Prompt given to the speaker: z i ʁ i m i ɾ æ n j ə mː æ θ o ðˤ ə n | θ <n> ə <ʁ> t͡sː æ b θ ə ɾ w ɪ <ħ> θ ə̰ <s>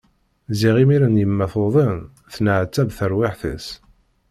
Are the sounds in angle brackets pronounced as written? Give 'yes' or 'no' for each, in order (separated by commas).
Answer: yes, no, yes, yes